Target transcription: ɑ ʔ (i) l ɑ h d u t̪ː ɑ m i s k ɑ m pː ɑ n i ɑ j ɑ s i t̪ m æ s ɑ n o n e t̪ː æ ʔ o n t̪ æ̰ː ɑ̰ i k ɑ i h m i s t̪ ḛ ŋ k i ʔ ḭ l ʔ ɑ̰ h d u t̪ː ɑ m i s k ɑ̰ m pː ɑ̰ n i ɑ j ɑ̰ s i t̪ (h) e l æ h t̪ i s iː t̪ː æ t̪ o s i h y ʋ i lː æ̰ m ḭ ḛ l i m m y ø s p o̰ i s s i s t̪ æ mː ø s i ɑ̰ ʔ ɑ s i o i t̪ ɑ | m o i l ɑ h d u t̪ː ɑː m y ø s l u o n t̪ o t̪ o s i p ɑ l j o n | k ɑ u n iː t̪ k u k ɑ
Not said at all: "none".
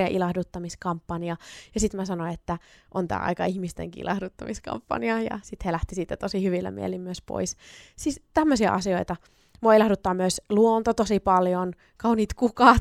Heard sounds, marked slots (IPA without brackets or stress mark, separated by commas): i, h